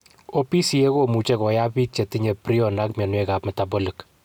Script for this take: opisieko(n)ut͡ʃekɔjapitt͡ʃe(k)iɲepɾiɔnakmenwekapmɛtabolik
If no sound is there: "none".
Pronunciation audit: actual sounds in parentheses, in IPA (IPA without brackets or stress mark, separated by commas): m, t